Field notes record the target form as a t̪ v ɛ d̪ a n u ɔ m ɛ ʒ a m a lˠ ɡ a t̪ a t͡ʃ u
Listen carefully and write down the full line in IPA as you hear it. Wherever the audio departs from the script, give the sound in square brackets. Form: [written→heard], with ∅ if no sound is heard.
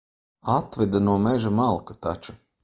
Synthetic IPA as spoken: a t̪ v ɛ d̪ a n u ɔ m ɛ ʒ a m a lˠ [ɡ→k] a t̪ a t͡ʃ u